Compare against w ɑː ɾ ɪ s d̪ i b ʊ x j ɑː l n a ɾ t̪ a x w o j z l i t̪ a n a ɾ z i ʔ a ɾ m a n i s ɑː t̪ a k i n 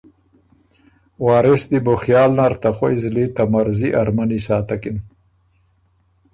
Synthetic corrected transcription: w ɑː ɾ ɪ s d̪ i b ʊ x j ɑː l n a ɾ t̪ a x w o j z l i t̪ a m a ɾ z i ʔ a ɾ m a n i s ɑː t̪ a k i n